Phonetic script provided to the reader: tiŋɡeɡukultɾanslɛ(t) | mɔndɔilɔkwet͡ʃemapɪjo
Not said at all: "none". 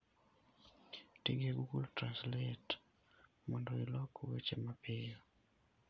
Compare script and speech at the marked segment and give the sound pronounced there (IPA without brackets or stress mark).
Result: t